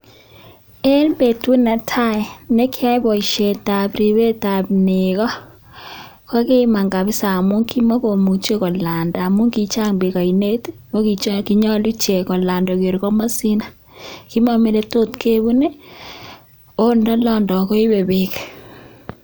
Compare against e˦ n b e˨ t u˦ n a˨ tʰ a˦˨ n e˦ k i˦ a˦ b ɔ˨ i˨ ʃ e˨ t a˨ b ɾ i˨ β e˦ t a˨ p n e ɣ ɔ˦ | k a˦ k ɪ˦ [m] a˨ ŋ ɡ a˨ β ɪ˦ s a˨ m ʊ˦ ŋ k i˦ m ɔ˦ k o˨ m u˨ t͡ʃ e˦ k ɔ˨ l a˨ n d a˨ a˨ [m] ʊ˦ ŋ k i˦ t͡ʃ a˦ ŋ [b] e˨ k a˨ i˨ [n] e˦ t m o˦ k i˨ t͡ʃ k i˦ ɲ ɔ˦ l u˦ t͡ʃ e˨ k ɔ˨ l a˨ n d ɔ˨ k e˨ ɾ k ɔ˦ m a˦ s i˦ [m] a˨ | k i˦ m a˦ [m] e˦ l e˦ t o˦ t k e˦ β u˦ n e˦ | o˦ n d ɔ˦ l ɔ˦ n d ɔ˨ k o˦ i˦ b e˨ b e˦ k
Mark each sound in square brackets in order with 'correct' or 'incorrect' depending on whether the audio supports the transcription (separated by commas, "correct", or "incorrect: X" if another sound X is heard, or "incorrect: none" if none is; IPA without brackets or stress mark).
correct, correct, correct, correct, incorrect: n, correct